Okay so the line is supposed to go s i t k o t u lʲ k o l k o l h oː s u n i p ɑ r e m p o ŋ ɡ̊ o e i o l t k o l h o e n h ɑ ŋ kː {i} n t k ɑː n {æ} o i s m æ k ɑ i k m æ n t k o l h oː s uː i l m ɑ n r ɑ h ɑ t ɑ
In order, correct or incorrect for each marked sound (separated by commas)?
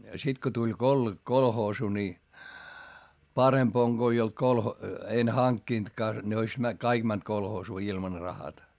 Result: correct, incorrect